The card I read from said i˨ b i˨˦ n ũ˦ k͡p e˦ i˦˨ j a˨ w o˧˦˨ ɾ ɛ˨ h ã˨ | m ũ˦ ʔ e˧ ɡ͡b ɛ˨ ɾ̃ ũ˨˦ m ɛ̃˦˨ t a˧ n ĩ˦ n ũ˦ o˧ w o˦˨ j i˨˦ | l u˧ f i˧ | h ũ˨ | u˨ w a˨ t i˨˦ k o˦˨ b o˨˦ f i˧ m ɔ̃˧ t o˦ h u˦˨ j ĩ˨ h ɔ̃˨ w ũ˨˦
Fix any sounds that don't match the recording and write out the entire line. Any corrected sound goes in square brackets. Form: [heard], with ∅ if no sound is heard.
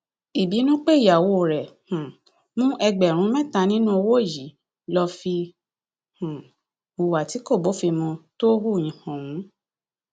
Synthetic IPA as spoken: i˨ b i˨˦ n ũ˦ k͡p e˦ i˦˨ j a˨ w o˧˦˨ ɾ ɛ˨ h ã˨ | m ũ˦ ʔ [ɛ˧] ɡ͡b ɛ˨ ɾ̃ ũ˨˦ m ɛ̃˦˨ t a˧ n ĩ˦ n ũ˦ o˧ w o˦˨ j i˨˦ | l [ɔ˧] f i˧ | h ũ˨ | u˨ w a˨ t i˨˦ k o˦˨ b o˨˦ f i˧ m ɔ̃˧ t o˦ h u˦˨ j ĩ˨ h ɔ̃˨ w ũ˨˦